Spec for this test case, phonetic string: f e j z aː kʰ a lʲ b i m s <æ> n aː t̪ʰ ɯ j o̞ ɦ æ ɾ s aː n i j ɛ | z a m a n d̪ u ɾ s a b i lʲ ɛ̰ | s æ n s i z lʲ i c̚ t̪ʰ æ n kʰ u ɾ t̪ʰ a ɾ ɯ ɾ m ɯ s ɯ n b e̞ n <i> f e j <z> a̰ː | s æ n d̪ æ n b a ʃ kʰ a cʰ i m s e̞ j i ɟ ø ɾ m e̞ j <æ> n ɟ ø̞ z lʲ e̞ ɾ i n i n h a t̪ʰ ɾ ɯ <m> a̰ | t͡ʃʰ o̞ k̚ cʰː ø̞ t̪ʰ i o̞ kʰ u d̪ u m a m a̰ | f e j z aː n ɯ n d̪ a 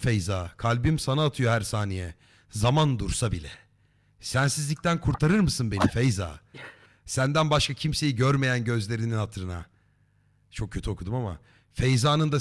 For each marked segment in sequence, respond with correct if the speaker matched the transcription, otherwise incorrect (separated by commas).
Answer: incorrect, correct, correct, correct, incorrect